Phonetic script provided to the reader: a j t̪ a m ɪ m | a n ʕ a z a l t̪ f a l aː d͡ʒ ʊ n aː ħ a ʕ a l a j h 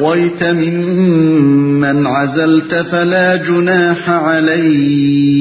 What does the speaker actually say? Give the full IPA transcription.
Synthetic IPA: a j t̪ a m ɪ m | a n ʕ a z a l t̪ f a l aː d͡ʒ ʊ n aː ħ a ʕ a l a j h